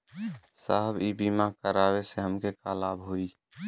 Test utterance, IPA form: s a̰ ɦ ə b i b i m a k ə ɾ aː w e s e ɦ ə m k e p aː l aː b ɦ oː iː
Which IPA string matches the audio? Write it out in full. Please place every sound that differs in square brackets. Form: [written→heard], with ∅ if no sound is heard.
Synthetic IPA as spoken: s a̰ ɦ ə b i b i m a k ə ɾ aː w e s e ɦ ə m k e [p→k] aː l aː b ɦ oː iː